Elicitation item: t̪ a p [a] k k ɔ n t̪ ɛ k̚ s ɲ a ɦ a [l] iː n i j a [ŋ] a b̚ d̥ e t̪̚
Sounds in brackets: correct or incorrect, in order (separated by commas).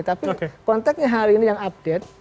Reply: incorrect, incorrect, correct